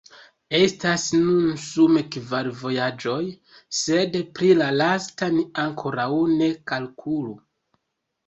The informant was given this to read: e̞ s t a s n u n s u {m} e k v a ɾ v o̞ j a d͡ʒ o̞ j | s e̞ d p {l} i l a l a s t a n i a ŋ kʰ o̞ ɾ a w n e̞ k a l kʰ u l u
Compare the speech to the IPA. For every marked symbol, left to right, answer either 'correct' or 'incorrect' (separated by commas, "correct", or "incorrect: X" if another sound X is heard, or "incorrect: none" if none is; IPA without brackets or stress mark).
correct, incorrect: ɾ